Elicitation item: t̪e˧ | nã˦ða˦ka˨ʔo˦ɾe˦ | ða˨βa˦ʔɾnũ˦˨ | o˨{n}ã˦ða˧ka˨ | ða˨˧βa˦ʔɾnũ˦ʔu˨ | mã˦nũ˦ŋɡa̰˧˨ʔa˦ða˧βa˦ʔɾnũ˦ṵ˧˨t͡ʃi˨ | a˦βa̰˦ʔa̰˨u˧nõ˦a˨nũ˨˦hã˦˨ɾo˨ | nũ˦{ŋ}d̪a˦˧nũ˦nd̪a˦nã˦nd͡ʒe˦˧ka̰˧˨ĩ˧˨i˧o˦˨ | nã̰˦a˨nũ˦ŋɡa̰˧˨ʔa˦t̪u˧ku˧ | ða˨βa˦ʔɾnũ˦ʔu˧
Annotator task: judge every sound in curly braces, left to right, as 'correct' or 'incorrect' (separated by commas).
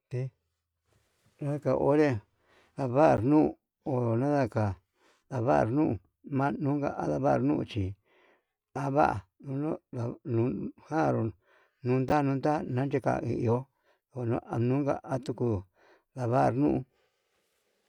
correct, incorrect